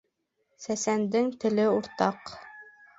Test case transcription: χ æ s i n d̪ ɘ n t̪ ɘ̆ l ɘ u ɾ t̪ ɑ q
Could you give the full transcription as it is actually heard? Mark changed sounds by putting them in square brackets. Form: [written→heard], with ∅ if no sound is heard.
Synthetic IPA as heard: [χ→s] æ s [i→æ] n d̪ ɘ [n→ŋ] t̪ ɘ̆ l ɘ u ɾ t̪ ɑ q